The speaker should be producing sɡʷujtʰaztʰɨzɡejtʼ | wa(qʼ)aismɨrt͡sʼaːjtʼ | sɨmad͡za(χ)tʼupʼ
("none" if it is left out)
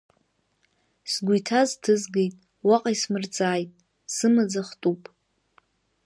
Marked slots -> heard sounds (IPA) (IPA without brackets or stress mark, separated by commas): qʼ, χ